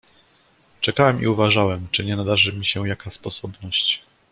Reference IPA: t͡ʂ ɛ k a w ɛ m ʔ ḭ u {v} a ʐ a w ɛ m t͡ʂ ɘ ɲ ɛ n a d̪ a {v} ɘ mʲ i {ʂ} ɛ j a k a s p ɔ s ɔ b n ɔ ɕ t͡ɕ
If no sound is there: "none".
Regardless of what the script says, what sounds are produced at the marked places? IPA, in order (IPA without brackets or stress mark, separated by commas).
v, ʐ, ɕ